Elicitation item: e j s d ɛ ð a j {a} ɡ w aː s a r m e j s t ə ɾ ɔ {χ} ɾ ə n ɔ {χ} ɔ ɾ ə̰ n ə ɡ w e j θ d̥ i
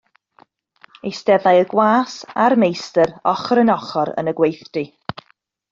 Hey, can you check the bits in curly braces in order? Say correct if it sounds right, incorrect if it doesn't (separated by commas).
incorrect, correct, correct